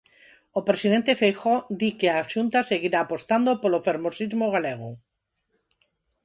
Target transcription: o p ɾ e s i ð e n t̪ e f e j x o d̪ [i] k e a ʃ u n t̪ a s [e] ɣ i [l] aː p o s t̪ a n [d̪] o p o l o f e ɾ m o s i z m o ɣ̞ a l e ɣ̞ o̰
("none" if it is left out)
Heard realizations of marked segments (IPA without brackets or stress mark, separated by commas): i, e, ɾ, d̪